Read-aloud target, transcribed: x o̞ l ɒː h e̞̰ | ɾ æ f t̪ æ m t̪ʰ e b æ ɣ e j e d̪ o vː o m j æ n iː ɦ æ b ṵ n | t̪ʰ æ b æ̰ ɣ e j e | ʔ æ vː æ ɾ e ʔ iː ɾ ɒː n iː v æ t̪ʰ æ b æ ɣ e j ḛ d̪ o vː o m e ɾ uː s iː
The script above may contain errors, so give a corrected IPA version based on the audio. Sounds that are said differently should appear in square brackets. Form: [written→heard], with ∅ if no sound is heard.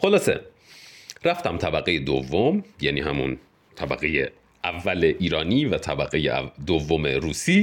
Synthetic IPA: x o̞ l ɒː [h→s] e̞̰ | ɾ æ f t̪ æ m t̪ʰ [e→æ] b æ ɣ e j e d̪ o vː o m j æ n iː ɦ æ [b→m] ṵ n | t̪ʰ æ b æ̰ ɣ e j e | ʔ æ vː æ [ɾ→l] e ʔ iː ɾ ɒː n iː v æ t̪ʰ æ b æ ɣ e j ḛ d̪ o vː o m e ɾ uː s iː